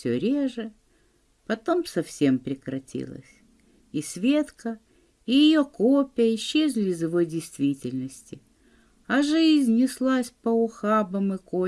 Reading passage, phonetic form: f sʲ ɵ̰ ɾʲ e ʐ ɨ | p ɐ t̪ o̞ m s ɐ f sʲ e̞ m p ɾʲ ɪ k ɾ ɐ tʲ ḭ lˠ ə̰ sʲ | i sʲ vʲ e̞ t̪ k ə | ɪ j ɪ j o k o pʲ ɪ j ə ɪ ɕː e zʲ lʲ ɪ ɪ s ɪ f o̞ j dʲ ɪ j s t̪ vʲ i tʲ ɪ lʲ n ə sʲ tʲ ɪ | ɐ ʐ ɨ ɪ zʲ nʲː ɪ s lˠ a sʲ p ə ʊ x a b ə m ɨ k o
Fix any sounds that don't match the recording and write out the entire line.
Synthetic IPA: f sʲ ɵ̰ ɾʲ e ʐ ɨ | p ɐ t̪ o̞ m s ɐ f sʲ e̞ m p ɾʲ ɪ k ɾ ɐ tʲ ḭ lˠ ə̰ sʲ | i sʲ vʲ e̞ t̪ k ə | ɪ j ɪ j o k o pʲ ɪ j ə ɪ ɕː e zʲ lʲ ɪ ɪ z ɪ v o̞ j dʲ ɪ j s t̪ vʲ i tʲ ɪ lʲ n ə sʲ tʲ ɪ | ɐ ʐ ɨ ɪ zʲ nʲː ɪ s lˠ a sʲ p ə ʊ x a b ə m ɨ k o